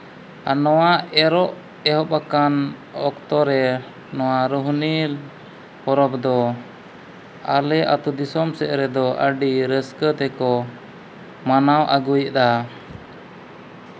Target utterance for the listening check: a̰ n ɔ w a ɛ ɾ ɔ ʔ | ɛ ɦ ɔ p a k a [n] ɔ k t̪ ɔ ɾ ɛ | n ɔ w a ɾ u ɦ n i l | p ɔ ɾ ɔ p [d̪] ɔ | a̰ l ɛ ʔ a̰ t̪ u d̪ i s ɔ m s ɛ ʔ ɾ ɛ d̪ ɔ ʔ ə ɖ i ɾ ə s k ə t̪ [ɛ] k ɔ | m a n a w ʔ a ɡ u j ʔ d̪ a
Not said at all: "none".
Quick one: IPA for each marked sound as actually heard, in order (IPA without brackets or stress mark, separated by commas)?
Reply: n, d̪, ɛ